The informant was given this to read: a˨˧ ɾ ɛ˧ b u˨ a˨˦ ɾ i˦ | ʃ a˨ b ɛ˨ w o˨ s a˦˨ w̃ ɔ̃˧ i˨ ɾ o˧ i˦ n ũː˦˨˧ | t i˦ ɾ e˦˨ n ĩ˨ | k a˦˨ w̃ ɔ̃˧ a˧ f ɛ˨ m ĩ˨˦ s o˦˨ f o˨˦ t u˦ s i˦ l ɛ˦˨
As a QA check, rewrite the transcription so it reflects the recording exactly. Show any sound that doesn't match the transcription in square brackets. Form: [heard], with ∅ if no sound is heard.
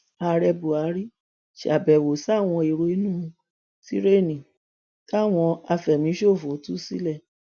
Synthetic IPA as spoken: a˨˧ ɾ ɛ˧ b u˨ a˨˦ ɾ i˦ | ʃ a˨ b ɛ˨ w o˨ s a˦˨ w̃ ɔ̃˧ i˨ ɾ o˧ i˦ n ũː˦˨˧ | t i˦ ɾ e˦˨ n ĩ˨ | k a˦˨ w̃ ɔ̃˧ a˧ f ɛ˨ m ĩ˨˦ [ʃ] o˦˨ f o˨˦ t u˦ s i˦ l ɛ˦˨